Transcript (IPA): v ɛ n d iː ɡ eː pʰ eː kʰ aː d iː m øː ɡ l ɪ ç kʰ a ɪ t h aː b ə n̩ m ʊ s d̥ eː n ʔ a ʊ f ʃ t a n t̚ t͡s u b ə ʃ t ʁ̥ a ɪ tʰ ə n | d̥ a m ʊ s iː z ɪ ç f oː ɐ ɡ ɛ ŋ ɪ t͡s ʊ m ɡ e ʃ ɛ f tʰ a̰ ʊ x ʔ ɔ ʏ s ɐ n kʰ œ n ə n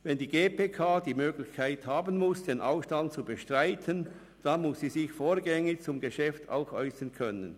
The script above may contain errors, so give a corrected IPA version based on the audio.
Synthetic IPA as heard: v ɛ n d iː ɡ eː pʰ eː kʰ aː d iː m øː ɡ l ɪ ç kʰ a ɪ t h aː b ə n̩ m ʊ s d̥ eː n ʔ a ʊ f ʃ t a n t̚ t͡s u b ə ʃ t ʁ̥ a ɪ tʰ ə n | d̥ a m ʊ s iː z ɪ ç f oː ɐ ɡ ɛ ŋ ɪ t͡s ʊ m ɡ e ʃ ɛ f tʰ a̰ ʊ x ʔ ɔ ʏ s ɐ n kʰ œ n ə n